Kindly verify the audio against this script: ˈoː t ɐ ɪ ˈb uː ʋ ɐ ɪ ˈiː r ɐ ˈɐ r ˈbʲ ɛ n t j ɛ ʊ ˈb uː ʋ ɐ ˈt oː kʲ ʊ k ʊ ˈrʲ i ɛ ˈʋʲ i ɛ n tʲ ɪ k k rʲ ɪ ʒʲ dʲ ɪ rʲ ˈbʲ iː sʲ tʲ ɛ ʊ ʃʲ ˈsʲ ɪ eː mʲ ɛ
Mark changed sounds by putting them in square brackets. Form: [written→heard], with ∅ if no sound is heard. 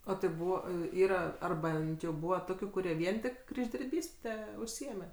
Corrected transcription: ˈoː t ɐ ɪ ˈb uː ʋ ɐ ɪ ˈiː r ɐ ˈɐ r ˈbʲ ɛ n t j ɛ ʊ ˈb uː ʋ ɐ ˈt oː kʲ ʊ k ʊ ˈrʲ i ɛ ˈʋʲ i ɛ n tʲ ɪ k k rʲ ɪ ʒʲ dʲ ɪ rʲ ˈbʲ iː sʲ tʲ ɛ ʊ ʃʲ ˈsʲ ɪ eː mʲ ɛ